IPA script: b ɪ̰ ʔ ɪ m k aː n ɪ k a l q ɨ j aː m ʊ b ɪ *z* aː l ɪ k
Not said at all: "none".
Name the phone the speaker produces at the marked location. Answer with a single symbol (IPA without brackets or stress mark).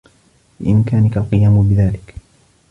ð